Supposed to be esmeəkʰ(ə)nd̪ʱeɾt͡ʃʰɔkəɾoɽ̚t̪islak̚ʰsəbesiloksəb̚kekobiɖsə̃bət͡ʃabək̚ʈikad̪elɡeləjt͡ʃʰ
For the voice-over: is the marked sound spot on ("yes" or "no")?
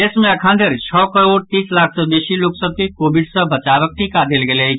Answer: no